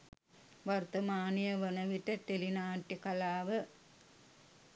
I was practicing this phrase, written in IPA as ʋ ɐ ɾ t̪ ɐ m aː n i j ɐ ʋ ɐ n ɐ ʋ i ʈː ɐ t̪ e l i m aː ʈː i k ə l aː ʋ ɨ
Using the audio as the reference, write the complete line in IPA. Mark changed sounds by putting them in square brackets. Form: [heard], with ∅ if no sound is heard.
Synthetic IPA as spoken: ʋ ɐ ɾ t̪ ɐ m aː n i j ɐ ʋ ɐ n ɐ ʋ i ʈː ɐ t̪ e l i [n] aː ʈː i k [ɐ] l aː ʋ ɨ